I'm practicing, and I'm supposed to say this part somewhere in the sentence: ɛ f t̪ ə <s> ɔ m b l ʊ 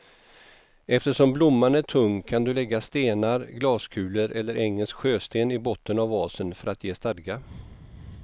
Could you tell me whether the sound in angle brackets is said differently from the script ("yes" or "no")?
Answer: yes